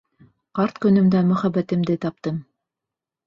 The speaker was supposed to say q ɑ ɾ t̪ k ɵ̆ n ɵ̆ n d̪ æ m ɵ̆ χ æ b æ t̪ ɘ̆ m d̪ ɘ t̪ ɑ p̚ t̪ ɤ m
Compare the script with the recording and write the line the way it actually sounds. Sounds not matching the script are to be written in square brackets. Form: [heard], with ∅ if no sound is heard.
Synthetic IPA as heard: q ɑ ɾ t̪ k ɵ̆ n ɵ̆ [m] d̪ æ m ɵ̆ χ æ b æ t̪ ɘ̆ m d̪ ɘ t̪ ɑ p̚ t̪ ɤ m